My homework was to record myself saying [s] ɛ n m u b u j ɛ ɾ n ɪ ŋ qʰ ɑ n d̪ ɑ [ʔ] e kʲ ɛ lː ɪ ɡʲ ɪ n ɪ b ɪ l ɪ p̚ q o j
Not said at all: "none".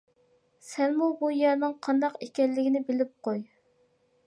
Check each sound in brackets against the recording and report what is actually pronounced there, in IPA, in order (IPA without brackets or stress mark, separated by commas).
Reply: s, q